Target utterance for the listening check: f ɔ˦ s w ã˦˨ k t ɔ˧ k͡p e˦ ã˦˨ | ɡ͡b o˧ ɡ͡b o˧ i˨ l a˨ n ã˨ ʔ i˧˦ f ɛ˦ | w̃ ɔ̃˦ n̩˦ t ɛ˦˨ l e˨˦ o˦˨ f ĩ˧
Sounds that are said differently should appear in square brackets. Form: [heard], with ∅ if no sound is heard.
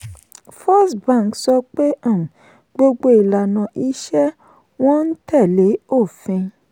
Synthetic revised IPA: f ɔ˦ s [b] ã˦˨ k [s] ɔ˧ k͡p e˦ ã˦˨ | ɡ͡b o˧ ɡ͡b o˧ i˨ l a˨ n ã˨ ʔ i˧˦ [ʃ] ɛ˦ | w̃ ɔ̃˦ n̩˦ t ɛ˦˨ l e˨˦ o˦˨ f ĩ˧

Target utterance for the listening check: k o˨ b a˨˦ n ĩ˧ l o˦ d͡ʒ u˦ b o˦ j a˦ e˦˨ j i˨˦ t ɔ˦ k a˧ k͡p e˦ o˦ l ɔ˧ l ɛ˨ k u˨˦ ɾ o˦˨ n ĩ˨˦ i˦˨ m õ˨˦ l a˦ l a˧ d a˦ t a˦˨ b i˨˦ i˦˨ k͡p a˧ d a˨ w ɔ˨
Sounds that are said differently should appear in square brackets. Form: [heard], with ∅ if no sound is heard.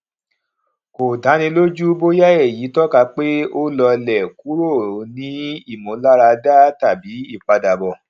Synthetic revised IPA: k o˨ [d] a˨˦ n ĩ˧ l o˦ d͡ʒ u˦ b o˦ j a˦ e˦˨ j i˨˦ t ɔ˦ k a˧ k͡p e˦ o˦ l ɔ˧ l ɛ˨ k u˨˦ ɾ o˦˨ n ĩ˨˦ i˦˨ m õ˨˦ l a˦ [ɾ] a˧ d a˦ t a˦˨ b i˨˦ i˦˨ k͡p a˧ d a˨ [b] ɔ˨

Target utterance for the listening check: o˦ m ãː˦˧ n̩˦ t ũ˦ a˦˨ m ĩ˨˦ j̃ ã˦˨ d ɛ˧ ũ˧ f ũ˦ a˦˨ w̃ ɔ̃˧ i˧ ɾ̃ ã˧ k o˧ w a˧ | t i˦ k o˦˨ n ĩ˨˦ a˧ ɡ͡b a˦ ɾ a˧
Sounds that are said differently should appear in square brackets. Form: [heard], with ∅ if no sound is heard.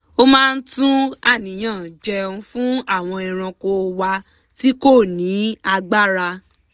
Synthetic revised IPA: o˦ m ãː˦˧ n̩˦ t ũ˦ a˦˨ [n] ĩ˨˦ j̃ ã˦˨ [d͡ʒ] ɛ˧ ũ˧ f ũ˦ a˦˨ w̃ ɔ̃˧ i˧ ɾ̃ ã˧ k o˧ w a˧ | t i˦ k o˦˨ n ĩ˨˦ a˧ ɡ͡b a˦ ɾ a˧

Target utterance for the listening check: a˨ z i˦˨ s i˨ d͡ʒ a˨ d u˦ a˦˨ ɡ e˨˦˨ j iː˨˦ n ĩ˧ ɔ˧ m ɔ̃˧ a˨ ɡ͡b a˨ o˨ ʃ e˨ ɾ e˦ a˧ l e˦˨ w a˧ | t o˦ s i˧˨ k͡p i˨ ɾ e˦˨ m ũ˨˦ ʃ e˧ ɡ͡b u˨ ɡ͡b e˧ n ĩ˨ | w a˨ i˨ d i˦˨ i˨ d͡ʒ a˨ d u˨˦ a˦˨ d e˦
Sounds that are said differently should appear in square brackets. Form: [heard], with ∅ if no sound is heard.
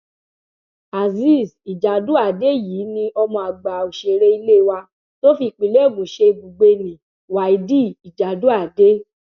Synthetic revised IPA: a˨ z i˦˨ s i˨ d͡ʒ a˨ d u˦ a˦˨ [d] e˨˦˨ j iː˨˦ n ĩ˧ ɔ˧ m ɔ̃˧ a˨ ɡ͡b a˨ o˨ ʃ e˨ ɾ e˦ [i˧] l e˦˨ w a˧ | t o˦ [f] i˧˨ k͡p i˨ [l] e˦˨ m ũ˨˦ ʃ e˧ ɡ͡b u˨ ɡ͡b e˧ n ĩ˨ | w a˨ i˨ d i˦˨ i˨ d͡ʒ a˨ d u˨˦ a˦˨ d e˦

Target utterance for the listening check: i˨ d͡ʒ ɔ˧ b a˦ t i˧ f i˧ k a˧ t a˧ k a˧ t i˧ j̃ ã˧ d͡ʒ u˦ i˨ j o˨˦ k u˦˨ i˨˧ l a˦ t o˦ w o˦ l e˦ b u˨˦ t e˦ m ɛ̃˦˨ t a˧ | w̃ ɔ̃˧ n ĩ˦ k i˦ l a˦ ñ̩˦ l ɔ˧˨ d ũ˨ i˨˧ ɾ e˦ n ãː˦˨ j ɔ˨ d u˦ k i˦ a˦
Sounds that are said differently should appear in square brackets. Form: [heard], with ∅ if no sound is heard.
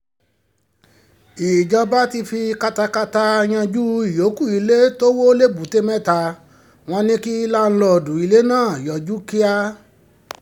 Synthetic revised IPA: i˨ d͡ʒ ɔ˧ b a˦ t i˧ f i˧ k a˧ t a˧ k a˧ t [a˧] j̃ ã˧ d͡ʒ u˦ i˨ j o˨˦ k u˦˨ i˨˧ l [e˦] t o˦ w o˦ l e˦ b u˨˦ t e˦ m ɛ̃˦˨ t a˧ | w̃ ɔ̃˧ n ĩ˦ k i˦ l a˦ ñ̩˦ l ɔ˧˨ d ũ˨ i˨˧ [l] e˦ n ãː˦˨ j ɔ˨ [d͡ʒ] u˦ k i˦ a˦

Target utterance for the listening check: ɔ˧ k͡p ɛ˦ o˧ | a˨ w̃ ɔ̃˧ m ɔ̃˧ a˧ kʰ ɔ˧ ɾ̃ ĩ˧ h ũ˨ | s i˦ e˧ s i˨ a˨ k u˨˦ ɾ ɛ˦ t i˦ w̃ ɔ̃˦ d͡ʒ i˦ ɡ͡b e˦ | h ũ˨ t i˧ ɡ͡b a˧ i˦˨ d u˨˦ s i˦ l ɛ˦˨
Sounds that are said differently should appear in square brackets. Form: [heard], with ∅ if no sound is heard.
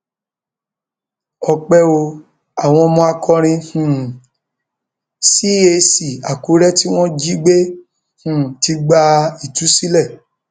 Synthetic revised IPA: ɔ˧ k͡p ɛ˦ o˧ | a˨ w̃ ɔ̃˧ m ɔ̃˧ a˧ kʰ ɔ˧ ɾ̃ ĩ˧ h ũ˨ | s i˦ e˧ s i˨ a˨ k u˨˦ ɾ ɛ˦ t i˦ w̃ ɔ̃˦ d͡ʒ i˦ ɡ͡b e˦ | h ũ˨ t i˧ ɡ͡b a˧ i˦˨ [t] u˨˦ s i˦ l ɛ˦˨

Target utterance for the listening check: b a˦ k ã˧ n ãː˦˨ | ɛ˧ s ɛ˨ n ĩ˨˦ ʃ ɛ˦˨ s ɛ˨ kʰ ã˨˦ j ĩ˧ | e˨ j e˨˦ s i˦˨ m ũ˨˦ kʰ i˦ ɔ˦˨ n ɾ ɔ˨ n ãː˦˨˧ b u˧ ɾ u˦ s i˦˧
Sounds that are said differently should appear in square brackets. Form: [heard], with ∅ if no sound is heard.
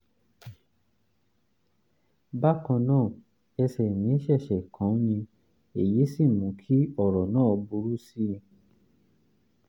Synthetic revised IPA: b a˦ k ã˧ n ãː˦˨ | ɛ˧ s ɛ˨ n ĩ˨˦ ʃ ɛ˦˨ [ʃ] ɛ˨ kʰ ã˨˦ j ĩ˧ | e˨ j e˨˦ s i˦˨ m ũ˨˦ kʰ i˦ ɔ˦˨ [∅] ɾ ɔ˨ n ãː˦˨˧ b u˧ ɾ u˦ s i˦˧

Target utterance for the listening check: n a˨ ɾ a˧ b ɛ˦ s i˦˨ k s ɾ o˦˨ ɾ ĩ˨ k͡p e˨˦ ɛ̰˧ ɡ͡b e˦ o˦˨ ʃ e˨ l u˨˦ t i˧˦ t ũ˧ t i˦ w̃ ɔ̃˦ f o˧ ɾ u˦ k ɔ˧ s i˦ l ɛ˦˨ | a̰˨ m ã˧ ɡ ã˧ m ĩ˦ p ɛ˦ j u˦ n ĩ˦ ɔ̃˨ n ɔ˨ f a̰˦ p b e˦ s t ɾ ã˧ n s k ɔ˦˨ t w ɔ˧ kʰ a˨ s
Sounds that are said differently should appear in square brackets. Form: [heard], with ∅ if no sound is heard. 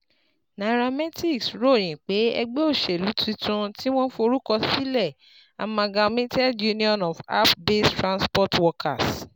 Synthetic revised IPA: n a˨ ɾ a˧ [m] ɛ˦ [t] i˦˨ k s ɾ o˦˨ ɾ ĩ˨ k͡p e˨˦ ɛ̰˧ ɡ͡b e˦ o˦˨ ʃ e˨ l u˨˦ t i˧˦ t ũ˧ t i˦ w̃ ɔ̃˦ f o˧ ɾ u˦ k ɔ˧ s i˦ l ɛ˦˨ | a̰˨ m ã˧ ɡ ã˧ m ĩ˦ [t] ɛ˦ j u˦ n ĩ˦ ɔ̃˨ n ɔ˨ f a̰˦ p b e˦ s t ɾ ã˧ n s [p] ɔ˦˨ t w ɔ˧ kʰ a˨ s

